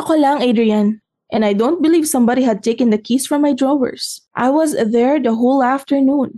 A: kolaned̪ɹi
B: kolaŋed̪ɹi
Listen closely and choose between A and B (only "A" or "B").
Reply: B